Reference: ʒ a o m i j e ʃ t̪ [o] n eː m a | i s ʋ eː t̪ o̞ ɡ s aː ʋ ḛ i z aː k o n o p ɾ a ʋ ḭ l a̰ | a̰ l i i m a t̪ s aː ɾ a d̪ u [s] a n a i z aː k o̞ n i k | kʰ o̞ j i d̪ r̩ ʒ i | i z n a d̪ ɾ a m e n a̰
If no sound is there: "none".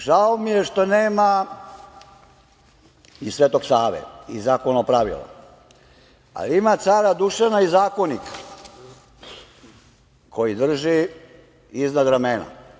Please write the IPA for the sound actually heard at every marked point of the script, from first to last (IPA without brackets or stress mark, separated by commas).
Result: o, ʃ